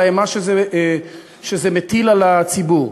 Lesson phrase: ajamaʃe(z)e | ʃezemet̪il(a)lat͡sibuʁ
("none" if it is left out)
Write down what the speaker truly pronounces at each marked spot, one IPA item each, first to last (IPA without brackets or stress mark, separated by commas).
z, a